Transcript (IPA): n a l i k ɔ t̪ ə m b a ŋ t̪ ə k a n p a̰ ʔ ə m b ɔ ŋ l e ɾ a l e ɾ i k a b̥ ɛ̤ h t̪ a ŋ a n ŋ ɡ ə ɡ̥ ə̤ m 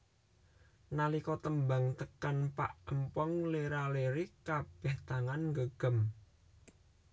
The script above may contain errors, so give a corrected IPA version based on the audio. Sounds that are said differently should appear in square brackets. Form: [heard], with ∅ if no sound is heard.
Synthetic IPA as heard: n a l i k ɔ t̪ ə m b a ŋ t̪ ə k a n p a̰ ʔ ə m [p] ɔ ŋ l e ɾ a l e ɾ i k a b̥ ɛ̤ h t̪ a ŋ a n ŋ ɡ ə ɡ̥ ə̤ m